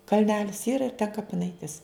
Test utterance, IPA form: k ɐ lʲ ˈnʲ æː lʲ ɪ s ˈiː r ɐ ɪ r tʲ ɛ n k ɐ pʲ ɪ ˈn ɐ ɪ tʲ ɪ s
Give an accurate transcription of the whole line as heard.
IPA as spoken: k ɐ lʲ ˈnʲ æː lʲ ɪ s ˈiː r ɐ ɪ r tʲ ɛ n k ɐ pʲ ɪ ˈn ɐ ɪ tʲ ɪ s